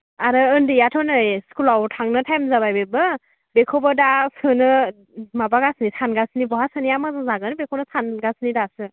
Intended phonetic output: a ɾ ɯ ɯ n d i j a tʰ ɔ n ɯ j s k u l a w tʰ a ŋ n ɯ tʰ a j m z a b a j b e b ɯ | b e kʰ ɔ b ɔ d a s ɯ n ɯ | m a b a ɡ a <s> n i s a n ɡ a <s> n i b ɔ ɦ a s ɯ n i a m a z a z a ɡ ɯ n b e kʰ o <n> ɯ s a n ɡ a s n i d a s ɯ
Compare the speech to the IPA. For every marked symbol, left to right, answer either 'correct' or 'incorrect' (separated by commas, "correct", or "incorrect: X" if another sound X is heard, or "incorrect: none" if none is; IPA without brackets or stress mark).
correct, correct, correct